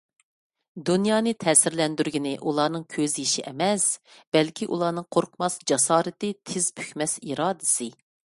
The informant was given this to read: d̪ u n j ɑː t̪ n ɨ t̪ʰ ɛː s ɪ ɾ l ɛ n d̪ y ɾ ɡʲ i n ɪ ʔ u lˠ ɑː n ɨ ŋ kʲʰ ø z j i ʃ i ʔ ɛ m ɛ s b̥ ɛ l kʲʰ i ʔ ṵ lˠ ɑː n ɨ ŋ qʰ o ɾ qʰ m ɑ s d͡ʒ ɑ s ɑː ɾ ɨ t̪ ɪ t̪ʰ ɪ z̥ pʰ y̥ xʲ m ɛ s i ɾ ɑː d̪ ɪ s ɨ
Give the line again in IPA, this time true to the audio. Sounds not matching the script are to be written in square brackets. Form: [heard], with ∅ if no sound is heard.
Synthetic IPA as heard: d̪ u n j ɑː [∅] n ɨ t̪ʰ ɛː s ɪ ɾ l ɛ n d̪ y ɾ ɡʲ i n ɪ ʔ u lˠ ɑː n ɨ ŋ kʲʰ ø z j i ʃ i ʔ ɛ m ɛ s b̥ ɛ l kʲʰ i ʔ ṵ lˠ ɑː n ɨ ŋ qʰ o ɾ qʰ m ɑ s d͡ʒ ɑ s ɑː ɾ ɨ t̪ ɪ t̪ʰ ɪ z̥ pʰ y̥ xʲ m ɛ s i ɾ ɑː d̪ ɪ s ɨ